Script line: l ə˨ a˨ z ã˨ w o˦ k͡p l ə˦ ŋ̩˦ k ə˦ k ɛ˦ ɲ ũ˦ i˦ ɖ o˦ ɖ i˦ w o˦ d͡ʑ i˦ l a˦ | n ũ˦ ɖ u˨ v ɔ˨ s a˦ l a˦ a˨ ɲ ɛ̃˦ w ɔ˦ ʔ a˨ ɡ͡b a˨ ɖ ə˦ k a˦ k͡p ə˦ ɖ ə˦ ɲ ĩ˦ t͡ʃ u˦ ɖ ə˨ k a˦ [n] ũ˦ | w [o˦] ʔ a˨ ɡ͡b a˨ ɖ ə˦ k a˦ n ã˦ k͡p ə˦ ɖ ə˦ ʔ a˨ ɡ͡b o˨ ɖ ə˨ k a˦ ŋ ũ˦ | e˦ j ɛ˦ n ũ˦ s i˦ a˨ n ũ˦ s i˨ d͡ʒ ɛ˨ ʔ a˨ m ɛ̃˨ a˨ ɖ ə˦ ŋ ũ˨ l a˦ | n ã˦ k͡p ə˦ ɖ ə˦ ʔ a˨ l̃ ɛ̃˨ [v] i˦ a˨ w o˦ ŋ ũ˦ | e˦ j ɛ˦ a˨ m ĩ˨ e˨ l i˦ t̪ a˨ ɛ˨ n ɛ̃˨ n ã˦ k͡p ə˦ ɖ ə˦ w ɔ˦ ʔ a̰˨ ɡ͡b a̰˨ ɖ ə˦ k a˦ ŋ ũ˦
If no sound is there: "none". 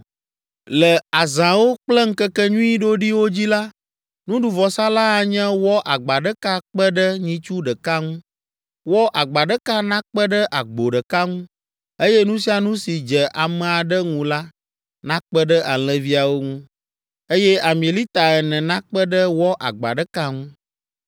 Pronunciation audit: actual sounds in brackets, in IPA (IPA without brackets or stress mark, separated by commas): ŋ, ɔ˦, v